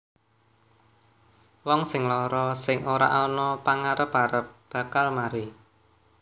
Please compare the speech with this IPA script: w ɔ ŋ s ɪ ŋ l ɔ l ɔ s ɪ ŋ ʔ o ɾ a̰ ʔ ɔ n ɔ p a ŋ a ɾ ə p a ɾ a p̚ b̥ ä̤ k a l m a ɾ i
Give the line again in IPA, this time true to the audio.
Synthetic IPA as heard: w ɔ ŋ s ɪ ŋ l ɔ ɾ ɔ s ɪ ŋ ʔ o ɾ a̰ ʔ ɔ n ɔ p a ŋ a ɾ ə p a ɾ ə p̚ b̥ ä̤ k a l m a ɾ i